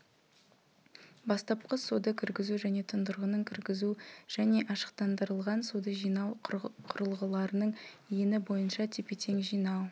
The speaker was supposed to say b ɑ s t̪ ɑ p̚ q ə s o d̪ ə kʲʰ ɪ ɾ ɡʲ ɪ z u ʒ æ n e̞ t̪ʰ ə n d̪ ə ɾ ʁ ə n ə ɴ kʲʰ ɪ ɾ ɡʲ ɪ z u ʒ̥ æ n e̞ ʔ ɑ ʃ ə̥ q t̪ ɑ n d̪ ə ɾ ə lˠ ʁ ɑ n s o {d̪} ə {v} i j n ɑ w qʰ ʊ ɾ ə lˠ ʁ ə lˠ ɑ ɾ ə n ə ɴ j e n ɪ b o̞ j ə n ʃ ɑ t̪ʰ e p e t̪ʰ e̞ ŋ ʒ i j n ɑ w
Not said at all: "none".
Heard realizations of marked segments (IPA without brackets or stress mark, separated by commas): d̪, ʒ